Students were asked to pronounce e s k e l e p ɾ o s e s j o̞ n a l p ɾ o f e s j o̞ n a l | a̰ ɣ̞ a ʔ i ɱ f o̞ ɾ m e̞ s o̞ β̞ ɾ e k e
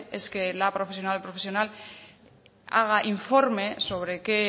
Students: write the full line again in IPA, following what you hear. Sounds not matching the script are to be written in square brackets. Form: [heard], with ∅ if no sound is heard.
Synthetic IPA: e s k e l [a] p ɾ o [f] e s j o̞ n a l p ɾ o f e s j o̞ n a l | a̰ ɣ̞ a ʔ i ɱ f o̞ ɾ m e̞ s o̞ β̞ ɾ e k e

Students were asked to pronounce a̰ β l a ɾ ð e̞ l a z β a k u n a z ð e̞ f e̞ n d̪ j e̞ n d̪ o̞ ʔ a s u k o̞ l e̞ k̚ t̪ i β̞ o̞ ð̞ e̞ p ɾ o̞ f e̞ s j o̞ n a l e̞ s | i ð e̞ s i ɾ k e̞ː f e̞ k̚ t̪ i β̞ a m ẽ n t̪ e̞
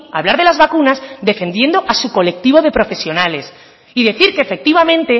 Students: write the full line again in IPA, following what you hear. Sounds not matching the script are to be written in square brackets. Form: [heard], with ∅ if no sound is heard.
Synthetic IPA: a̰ β l a ɾ ð e̞ l a z β a k u n a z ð e̞ f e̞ n d̪ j e̞ n d̪ o̞ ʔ a s u k o̞ l e̞ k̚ t̪ i β̞ o̞ ð̞ e̞ p ɾ o̞ f e̞ s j o̞ n a l e̞ s | i ð e̞ [θ] i ɾ k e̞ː f e̞ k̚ t̪ i β̞ a m ẽ n t̪ e̞

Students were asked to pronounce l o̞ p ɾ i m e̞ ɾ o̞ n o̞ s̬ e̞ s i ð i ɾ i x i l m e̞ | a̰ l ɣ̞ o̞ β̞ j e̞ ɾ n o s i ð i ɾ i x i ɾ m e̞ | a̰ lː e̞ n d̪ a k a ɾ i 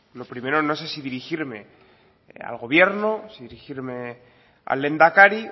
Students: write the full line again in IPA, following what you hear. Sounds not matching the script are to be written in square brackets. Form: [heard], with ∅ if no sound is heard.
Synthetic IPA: l o̞ p ɾ i m e̞ ɾ o̞ n o̞ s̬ e̞ s i ð i ɾ i x i [ɾ] m e̞ | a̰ l ɣ̞ o̞ β̞ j e̞ ɾ n o s i ð i ɾ i x i ɾ m e̞ | a̰ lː e̞ n d̪ a k a ɾ i

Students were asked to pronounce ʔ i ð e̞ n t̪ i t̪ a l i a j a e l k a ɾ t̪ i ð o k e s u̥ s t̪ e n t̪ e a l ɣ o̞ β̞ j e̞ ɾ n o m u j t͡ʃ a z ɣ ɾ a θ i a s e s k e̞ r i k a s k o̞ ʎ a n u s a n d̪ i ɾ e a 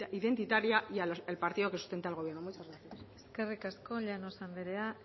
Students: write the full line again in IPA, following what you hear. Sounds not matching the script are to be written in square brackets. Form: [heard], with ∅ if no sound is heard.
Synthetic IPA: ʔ i ð e̞ n t̪ i t̪ a [ɾ] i a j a e l [p] a ɾ t̪ i ð o k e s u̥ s t̪ e n t̪ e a l ɣ o̞ β̞ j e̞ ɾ n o m u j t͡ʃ a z ɣ ɾ a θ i a s e s k e̞ r i k a s k o̞ ʎ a n [o] s a n d̪ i ɾ e a

